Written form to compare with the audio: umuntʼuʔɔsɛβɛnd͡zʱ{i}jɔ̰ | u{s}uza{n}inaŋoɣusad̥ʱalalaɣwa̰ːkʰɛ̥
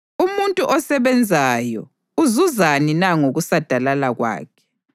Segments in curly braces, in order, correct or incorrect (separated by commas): incorrect, incorrect, correct